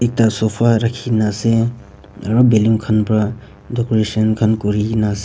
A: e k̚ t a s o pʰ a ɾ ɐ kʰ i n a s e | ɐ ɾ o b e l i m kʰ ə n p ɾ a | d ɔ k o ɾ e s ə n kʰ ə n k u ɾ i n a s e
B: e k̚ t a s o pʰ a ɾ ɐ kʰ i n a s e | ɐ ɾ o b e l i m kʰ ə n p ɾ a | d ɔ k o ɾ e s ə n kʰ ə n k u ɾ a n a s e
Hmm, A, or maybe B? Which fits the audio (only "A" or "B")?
A